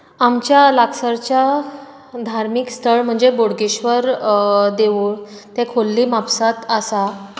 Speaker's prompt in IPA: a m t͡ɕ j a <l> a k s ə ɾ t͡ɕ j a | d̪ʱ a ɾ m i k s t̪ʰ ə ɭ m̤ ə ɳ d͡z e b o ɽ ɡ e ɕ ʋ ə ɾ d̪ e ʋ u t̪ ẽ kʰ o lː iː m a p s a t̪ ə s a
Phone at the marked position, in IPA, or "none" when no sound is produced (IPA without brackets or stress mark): l